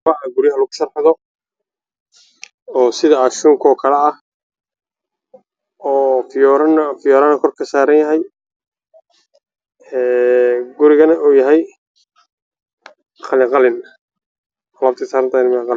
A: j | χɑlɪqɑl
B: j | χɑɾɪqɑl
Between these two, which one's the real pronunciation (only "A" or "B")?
A